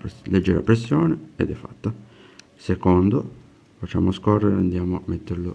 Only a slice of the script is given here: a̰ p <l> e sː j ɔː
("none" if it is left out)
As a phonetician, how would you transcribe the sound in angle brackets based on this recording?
ɾ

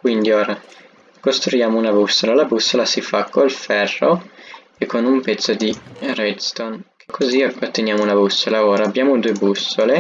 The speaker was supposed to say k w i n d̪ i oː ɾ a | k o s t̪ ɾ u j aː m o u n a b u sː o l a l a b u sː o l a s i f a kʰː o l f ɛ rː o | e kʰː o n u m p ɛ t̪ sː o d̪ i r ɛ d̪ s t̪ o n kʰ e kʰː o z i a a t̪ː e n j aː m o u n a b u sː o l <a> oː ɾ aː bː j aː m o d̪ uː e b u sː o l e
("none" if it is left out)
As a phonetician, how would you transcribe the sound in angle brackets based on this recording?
a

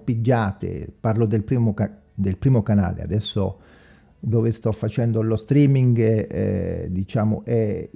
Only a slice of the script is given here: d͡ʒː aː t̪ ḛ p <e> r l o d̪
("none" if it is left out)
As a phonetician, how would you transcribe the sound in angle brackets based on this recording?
a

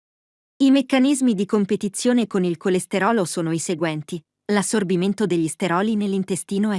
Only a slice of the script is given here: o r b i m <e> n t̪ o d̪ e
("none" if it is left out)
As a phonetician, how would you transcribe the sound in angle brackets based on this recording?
e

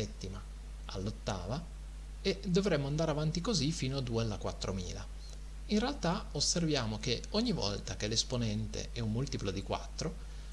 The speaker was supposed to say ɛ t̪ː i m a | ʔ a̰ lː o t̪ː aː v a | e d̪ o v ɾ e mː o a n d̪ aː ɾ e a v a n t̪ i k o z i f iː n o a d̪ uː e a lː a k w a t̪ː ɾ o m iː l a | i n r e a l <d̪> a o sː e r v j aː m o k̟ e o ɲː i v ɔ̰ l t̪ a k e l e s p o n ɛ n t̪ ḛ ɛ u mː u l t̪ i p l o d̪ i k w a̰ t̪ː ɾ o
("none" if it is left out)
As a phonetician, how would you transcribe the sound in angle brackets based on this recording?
t̪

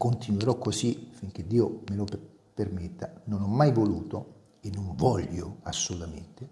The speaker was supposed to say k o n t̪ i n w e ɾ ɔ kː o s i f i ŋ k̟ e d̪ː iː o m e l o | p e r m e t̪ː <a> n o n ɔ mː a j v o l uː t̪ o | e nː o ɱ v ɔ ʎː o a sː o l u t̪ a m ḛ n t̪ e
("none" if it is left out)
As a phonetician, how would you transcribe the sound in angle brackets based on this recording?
a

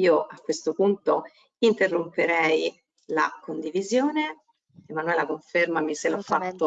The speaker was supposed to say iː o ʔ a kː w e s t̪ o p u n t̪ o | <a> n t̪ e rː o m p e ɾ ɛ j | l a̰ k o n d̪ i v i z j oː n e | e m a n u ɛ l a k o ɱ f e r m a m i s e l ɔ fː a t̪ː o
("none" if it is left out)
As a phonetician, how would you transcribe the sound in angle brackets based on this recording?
i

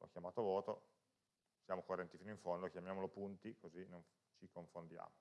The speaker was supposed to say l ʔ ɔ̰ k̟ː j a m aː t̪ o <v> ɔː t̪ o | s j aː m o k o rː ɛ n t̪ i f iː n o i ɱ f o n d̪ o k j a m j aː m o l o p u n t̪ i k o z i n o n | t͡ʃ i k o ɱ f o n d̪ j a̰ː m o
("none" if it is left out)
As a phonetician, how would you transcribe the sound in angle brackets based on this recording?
v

